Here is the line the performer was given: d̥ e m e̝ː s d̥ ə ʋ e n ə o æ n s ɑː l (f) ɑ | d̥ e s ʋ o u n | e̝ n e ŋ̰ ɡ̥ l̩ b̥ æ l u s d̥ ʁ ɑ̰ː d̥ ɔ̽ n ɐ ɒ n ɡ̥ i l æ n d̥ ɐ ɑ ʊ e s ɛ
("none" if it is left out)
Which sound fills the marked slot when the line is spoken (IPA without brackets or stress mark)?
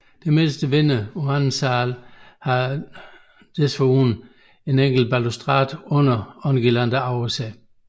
h